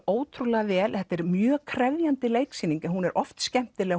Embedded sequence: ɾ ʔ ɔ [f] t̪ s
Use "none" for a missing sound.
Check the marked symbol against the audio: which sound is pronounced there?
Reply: f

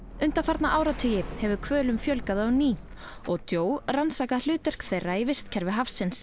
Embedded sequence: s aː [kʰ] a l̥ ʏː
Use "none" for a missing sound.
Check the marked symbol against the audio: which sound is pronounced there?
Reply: k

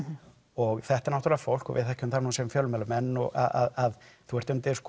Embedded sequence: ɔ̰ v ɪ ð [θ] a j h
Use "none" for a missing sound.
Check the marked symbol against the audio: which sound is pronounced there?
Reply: θ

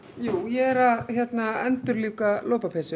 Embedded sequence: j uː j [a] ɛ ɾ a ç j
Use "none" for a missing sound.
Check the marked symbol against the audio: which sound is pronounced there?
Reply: ɛ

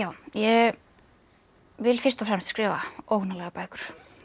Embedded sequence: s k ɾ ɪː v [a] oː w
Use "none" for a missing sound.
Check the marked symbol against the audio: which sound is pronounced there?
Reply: a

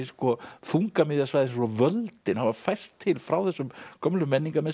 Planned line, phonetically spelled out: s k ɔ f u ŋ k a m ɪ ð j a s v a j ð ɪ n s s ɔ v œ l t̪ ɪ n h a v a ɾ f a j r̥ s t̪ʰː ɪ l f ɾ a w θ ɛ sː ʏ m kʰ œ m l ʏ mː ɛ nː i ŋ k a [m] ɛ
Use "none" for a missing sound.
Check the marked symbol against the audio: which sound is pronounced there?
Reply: m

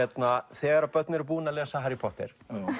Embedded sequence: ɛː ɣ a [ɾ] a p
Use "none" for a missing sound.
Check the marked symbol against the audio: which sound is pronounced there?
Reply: ɾ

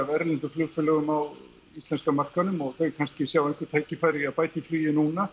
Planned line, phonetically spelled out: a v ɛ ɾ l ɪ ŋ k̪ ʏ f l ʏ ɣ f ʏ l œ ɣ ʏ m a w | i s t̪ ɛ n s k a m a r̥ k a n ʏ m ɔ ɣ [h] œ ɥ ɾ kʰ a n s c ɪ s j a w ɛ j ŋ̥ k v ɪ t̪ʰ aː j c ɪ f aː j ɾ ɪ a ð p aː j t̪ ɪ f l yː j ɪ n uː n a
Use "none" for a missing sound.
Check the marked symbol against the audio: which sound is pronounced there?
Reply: θ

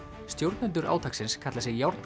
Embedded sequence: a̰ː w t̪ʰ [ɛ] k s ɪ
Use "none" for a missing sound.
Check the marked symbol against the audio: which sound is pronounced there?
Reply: a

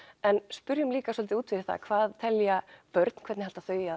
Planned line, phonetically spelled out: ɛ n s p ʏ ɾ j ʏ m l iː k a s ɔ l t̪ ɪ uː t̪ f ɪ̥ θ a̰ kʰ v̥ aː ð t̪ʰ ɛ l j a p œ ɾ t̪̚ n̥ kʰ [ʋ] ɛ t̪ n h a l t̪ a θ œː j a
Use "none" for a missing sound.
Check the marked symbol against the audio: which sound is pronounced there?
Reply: v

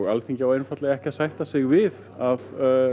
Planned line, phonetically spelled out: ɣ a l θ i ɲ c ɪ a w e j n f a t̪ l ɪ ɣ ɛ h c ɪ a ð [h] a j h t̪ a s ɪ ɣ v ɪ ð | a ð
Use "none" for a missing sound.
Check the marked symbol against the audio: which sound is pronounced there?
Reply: s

